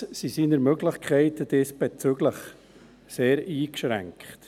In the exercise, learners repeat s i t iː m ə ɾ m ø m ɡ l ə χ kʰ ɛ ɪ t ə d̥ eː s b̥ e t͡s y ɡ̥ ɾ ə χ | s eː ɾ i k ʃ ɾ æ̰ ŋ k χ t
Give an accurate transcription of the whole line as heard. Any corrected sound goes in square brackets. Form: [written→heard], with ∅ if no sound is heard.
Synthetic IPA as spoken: s i [t→s] iː [m→n] ə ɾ m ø [m→∅] ɡ l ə χ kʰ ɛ ɪ t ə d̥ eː s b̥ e t͡s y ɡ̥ [ɾ→l] ə χ | s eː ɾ [i→iː] k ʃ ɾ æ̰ ŋ k χ t